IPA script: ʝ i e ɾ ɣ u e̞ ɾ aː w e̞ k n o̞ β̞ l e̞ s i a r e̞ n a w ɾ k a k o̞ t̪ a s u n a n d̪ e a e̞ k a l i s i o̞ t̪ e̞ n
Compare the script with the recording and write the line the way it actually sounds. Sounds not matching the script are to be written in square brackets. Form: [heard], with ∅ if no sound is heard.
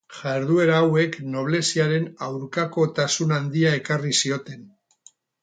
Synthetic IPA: ʝ [a] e ɾ [ð] u e̞ ɾ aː w e̞ k n o̞ β̞ l e̞ s i a [ɾ] e̞ n a w ɾ k a k o̞ t̪ a s u n a n d̪ [i] a e̞ k a [r] i s i o̞ t̪ e̞ n